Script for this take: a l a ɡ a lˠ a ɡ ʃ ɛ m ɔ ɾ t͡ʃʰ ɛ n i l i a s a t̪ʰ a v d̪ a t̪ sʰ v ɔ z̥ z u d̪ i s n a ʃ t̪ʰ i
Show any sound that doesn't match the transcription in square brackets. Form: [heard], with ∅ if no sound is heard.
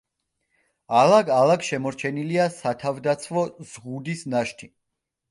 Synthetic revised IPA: a l a ɡ a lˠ a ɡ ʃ ɛ m ɔ ɾ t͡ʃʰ ɛ n i l i a s a t̪ʰ a v d̪ a t̪ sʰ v ɔ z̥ [ʁ] u d̪ i s n a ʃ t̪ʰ i